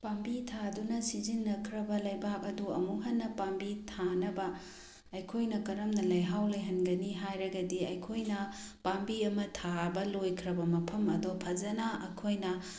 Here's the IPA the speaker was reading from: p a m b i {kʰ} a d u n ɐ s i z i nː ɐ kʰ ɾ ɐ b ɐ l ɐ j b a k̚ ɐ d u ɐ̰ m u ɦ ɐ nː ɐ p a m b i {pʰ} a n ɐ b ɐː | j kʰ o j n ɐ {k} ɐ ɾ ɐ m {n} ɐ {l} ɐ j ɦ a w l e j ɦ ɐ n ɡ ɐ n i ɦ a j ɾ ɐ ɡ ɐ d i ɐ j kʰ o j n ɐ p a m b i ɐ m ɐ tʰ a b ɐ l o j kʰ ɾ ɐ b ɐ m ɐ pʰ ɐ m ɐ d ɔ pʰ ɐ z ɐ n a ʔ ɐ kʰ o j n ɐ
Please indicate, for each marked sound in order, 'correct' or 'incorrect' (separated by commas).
incorrect, incorrect, correct, correct, correct